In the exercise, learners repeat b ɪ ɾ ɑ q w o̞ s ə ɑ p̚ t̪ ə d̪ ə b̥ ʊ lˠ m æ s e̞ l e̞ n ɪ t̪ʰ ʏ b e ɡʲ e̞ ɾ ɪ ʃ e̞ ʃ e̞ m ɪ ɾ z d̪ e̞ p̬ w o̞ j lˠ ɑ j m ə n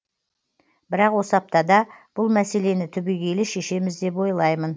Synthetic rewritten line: b ɪ ɾ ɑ q w o̞ s ə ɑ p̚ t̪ ɑ d̪ ɑ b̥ ʊ lˠ m æ s e̞ l e̞ n ɪ t̪ʰ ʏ b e ɡʲ e̞ l ɪ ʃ e̞ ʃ e̞ m ɪ z d̪ e̞ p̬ w o̞ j lˠ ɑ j m ə n